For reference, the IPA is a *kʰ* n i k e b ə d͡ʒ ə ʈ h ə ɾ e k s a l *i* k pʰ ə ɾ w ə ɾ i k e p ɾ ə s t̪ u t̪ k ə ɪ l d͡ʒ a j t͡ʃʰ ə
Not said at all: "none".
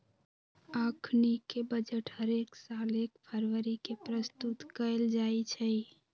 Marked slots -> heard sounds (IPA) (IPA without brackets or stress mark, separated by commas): kʰ, e